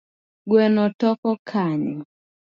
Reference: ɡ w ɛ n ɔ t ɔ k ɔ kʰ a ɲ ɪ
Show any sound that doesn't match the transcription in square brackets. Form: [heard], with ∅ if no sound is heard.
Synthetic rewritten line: ɡ w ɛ n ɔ t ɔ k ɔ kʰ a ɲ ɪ

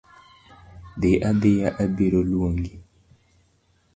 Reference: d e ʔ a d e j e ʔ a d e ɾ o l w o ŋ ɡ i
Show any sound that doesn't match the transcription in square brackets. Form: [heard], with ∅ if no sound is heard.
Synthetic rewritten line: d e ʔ a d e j [a] ʔ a [b] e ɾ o l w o ŋ ɡ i

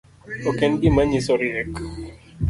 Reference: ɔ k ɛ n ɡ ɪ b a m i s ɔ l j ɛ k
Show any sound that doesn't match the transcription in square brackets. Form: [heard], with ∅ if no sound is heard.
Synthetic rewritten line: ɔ k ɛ n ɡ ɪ [m] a [ɲ] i s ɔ [ɾ] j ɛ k

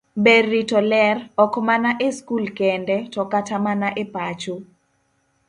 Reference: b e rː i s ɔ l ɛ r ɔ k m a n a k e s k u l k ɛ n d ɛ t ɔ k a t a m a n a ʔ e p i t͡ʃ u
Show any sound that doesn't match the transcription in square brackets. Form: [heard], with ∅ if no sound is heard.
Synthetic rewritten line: b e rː i [t] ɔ l ɛ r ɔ k m a n a [ʔ] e s k u l k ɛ n d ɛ t ɔ k a t a m a n a ʔ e p [a] t͡ʃ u

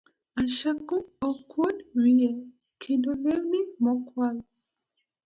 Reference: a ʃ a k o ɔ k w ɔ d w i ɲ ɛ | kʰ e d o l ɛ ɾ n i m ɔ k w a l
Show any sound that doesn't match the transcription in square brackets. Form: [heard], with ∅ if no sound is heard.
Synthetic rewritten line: a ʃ a k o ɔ k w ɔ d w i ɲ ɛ | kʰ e d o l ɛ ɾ n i m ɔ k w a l

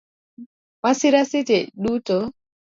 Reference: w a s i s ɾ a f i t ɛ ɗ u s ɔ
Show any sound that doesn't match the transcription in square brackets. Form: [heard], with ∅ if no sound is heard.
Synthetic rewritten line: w a s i [∅] ɾ a [s] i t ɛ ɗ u [t] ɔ

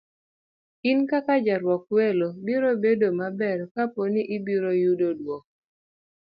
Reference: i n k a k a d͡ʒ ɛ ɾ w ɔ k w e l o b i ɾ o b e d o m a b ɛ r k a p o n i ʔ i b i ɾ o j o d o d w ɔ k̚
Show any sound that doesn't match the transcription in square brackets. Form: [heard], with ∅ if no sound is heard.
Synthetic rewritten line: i n k a k a d͡ʒ [a] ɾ w ɔ k w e l o b i ɾ o b e d o m a b ɛ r k a p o n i ʔ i b i ɾ o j [u] d o d w ɔ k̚

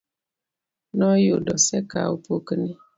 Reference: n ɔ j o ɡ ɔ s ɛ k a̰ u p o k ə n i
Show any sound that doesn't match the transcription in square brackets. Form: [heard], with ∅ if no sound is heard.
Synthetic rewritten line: n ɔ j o [d] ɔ s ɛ k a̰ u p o k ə n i

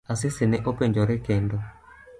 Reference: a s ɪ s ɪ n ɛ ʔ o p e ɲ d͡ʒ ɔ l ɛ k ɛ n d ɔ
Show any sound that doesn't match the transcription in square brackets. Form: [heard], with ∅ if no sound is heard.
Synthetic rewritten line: a s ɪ s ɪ n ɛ ʔ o p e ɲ d͡ʒ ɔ [ɾ] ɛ k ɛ n d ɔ

